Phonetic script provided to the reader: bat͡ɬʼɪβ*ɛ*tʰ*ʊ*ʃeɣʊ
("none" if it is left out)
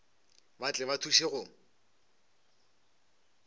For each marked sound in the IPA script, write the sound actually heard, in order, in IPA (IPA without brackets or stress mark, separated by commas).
a, u